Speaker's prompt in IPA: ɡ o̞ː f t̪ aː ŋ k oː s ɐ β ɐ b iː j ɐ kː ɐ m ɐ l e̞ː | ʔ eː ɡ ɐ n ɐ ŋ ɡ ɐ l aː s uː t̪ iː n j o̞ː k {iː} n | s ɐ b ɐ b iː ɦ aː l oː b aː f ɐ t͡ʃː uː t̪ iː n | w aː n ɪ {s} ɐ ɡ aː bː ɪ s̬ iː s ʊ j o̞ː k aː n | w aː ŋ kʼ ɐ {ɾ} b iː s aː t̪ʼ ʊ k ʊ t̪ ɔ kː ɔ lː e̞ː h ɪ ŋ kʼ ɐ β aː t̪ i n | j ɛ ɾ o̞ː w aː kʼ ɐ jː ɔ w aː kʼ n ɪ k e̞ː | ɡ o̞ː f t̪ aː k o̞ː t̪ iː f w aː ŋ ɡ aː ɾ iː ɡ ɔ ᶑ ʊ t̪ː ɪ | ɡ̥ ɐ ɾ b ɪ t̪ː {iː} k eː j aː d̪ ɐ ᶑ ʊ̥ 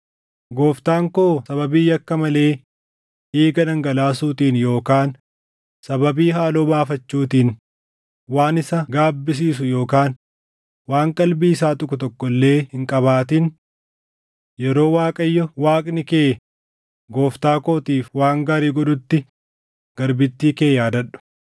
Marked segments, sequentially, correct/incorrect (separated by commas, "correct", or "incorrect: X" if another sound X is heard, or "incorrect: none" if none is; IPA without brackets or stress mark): incorrect: aː, correct, incorrect: l, correct